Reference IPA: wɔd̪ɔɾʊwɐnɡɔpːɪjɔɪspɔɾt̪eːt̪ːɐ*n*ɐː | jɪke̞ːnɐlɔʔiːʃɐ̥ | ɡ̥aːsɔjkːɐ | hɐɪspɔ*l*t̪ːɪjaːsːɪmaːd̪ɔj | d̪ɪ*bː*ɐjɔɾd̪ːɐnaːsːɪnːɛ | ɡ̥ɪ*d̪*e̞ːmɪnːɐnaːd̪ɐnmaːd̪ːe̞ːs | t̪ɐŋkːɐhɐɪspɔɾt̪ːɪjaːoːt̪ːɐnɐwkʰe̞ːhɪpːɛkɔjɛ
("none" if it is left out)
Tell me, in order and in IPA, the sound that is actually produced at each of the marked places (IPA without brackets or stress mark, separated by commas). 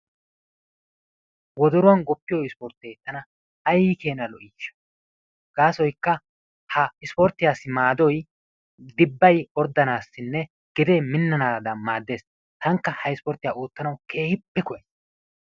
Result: n, ɾ, bː, d̪